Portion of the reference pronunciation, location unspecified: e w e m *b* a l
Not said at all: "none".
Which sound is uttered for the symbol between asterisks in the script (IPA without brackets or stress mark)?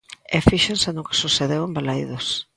b